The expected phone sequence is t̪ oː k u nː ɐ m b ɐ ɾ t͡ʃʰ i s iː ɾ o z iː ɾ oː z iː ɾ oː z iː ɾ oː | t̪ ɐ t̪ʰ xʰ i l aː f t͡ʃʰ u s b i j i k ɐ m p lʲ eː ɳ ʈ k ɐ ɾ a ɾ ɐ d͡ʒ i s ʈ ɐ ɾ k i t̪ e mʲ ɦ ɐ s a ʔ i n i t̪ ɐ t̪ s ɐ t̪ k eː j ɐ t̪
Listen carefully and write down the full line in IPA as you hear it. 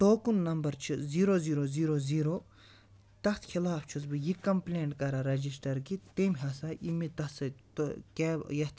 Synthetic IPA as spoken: t̪ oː k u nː ɐ m b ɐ ɾ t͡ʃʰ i z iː ɾ o z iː ɾ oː z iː ɾ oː z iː ɾ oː | t̪ ɐ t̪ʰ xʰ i l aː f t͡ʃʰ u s b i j i k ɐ m p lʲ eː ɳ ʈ k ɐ ɾ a ɾ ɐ d͡ʒ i s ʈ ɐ ɾ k i t̪ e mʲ ɦ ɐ s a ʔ i m i t̪ ɐ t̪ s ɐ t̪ k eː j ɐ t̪